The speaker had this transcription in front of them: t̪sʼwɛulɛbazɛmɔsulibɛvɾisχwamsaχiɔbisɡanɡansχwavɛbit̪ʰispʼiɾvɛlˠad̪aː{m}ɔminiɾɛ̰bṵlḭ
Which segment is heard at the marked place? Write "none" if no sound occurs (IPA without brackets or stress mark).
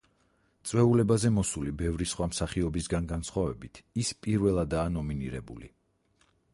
n